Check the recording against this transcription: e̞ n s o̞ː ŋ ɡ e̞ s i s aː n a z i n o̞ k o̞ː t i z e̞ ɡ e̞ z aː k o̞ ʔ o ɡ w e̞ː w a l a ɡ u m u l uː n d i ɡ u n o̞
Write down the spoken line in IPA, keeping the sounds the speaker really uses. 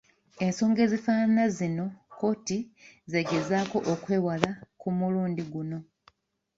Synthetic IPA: e̞ n s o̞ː ŋ ɡ e̞ z i f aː n a z i n o̞ k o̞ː t i z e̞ ɡ e̞ z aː k o̞ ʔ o k w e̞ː w a l a k u m u l uː n d i ɡ u n o̞